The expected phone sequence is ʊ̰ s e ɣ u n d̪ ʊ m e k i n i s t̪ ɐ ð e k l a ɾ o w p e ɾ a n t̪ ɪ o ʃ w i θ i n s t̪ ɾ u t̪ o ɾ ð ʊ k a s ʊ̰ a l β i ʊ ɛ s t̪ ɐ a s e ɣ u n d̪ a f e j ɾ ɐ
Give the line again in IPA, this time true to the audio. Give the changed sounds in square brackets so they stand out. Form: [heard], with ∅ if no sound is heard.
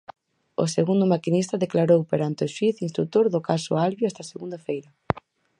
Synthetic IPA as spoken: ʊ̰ s e ɣ u n d̪ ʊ m [a] k i n i s t̪ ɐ ð e k l a ɾ o w p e ɾ a n t̪ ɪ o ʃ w i θ i n s t̪ ɾ u t̪ o ɾ ð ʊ k a s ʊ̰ a l β [j] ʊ ɛ s t̪ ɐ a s e ɣ u n d̪ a f e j ɾ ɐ